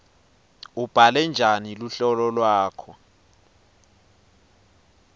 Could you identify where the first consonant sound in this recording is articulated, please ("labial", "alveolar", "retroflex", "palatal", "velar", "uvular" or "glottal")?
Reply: labial